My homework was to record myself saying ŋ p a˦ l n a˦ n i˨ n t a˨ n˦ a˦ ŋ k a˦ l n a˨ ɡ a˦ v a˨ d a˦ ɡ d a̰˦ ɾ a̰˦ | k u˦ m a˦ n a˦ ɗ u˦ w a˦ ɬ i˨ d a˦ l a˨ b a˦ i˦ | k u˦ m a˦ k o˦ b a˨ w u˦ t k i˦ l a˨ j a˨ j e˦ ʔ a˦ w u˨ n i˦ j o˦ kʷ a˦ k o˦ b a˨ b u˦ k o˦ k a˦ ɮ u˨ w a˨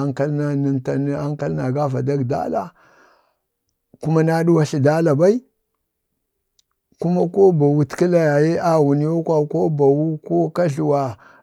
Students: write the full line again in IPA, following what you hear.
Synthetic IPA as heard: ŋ k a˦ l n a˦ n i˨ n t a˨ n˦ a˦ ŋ k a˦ l n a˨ ɡ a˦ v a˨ d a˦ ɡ d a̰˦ l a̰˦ | k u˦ m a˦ n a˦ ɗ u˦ w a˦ ɬ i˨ d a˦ l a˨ b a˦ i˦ | k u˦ m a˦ k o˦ b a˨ w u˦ t k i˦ l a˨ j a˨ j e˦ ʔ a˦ w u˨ n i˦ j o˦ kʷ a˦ k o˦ b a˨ w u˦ k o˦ k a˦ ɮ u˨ w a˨

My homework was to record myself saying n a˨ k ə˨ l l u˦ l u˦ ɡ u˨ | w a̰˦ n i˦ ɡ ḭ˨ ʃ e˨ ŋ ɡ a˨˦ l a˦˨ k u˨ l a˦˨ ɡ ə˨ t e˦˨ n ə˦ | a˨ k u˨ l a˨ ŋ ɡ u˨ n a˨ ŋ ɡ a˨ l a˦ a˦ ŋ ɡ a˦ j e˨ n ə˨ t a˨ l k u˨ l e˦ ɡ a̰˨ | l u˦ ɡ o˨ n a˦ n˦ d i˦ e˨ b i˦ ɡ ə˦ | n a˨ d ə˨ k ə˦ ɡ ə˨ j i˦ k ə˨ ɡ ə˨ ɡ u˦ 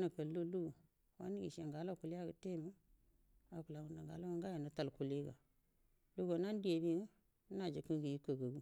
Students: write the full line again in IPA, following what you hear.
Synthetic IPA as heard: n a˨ k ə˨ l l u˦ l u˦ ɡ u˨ | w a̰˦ n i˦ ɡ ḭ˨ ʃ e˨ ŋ ɡ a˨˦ l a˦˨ k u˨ l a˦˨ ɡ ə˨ t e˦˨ m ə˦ | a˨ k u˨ l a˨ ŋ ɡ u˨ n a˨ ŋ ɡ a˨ l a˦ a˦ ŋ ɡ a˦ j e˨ n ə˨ t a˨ l k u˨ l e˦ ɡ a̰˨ | l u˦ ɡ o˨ n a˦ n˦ d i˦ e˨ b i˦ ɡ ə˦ | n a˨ d͡ʒ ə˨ k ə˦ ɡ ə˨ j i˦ k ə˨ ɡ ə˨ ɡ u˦

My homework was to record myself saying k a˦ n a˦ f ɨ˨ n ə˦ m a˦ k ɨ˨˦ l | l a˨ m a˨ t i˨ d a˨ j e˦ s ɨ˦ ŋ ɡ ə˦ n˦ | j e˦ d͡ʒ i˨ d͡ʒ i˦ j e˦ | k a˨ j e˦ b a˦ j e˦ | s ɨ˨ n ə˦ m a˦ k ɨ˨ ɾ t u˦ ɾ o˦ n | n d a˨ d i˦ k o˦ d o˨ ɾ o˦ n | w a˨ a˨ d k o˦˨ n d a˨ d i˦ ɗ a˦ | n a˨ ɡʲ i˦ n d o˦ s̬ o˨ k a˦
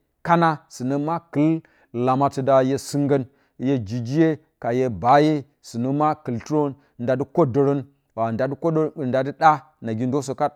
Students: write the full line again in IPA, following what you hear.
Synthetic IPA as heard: k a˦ n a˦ s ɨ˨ n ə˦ m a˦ k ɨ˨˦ l | l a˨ m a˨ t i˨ d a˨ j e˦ s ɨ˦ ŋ ɡ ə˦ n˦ | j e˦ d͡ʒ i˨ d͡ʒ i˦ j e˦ | k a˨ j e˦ b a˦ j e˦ | s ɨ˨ n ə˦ m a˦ k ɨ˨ l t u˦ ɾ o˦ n | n d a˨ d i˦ k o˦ d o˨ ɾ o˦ n | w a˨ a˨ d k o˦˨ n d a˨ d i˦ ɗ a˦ | n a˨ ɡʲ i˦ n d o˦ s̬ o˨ k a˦

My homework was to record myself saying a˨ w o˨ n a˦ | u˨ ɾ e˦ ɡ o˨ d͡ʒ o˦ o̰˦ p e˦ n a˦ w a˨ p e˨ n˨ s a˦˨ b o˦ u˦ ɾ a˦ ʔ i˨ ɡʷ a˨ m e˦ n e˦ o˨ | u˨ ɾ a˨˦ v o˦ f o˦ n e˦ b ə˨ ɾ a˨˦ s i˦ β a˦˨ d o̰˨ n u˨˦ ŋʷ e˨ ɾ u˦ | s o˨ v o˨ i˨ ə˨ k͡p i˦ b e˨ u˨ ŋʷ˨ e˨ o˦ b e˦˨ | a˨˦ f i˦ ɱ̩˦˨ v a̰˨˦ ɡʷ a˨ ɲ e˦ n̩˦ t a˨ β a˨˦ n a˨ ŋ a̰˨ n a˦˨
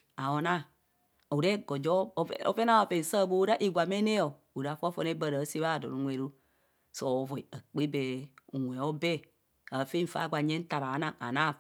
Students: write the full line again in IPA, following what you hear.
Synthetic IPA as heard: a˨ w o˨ n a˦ | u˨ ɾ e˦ ɡ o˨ d͡ʒ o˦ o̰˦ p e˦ n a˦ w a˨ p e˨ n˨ s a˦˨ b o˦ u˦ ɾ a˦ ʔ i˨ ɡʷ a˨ m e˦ n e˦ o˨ | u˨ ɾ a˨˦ f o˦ f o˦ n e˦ b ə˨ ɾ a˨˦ s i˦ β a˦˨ d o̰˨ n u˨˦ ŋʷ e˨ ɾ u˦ | s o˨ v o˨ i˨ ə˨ k͡p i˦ b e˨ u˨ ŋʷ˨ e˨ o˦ b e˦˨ | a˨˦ f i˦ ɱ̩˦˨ f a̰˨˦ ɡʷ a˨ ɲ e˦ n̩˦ t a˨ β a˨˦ n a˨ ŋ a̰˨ n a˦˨

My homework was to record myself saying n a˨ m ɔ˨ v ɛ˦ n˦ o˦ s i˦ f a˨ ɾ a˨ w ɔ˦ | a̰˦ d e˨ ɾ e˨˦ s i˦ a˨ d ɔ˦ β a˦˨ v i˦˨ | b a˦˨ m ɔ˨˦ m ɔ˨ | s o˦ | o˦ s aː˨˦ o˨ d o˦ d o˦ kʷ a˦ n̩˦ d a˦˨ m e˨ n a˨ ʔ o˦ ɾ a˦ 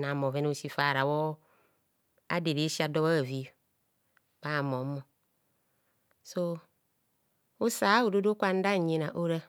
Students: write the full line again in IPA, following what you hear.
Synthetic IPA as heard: n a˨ m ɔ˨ v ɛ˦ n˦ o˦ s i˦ f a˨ ɾ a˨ w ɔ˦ | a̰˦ d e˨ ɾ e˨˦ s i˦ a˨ d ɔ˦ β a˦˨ v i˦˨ | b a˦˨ m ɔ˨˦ m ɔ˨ | s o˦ | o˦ s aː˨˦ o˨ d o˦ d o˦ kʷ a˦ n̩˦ d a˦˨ ɲ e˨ n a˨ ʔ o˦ ɾ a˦

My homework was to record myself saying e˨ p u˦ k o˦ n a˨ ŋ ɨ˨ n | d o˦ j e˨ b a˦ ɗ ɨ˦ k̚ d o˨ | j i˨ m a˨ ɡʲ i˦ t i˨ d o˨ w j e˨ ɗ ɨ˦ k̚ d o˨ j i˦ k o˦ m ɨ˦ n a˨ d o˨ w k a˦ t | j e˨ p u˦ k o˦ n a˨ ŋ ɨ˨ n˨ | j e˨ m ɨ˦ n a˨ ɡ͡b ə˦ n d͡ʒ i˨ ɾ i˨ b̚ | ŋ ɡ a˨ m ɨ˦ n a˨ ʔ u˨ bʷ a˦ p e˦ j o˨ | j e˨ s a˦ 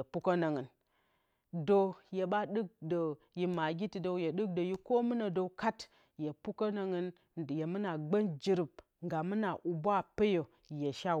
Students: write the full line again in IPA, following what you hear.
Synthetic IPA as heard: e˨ p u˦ k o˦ n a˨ ŋ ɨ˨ n | d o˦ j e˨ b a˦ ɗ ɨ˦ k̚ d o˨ | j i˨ m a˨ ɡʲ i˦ t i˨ d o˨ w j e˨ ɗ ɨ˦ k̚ d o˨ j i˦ k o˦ m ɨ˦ n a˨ d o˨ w k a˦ t | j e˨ p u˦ k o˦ n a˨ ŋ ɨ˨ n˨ | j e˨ m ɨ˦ n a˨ ɡ͡b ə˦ n d͡ʒ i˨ ɾ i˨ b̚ | ŋ ɡ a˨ m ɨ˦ n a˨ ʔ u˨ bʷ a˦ p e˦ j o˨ | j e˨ ʃ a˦

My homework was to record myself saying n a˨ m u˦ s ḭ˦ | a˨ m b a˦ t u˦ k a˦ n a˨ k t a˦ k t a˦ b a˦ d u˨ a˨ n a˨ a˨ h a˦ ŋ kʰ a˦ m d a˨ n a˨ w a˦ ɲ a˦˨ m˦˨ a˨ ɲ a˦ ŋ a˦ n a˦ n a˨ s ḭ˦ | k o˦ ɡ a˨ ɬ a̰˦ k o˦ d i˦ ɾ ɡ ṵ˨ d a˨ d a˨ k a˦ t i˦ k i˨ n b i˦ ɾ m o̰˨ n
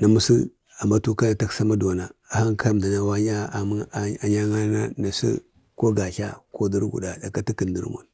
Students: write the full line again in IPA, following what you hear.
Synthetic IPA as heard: n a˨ m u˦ s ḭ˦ | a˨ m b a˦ t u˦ k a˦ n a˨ t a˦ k s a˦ m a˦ d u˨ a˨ n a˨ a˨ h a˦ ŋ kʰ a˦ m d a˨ n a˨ w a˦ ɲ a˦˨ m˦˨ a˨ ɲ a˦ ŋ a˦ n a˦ n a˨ s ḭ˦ | k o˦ ɡ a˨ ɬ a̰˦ k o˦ d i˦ ɾ ɡ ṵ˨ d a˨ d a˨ k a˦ t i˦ k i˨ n d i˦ ɾ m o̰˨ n

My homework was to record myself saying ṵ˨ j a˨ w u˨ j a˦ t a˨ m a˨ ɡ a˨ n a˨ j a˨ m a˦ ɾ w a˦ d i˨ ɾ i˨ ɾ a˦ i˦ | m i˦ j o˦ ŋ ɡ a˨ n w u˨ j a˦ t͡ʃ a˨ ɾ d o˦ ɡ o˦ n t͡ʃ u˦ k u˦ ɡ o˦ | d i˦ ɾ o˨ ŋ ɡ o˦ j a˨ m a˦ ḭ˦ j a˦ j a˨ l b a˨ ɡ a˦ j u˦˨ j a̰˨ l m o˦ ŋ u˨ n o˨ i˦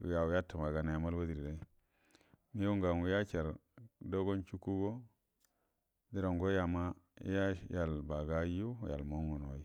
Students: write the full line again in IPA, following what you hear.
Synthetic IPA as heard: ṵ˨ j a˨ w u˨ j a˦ t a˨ m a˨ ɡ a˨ n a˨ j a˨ m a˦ l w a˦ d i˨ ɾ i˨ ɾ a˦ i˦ | m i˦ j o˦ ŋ ɡ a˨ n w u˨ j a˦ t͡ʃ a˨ ɾ d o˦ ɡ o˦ n t͡ʃ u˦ k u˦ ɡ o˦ | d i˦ ɾ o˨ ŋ ɡ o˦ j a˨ m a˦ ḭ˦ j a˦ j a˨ l b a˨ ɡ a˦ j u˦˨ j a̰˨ l m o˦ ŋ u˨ n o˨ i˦

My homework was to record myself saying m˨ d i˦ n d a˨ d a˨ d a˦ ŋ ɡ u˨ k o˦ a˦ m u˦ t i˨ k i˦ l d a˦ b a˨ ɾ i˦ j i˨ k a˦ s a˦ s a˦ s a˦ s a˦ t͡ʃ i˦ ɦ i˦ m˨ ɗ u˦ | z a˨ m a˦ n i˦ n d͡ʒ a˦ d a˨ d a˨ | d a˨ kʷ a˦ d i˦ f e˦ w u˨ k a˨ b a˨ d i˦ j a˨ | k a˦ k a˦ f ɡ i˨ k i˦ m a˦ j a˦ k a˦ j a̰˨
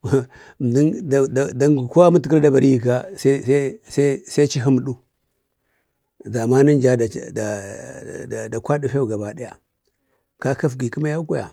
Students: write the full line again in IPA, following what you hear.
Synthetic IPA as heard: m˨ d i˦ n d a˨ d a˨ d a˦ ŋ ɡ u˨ k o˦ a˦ m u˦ t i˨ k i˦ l d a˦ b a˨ ɾ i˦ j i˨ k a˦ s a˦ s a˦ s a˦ s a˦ t͡ʃ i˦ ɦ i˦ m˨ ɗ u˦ | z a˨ m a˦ n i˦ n d͡ʒ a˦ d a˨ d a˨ | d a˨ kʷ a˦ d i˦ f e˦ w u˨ ɡ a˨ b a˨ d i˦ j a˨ | k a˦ k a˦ f ɡ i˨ k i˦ m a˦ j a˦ k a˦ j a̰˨

